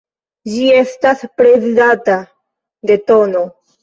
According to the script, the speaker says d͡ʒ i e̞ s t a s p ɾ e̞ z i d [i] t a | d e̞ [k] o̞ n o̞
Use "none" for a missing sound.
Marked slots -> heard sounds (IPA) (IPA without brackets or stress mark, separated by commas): a, t